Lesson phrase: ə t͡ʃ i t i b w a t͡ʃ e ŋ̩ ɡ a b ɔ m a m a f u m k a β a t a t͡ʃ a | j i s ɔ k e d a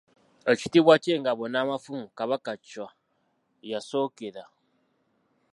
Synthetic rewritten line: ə t͡ʃ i t i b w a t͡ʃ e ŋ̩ ɡ a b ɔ n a m a f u m k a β a k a t͡ʃ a | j a s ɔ k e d a